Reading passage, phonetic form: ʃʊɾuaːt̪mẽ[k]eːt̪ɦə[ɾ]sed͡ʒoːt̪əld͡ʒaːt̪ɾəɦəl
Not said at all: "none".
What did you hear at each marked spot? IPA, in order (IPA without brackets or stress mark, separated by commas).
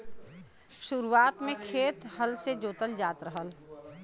kʰ, l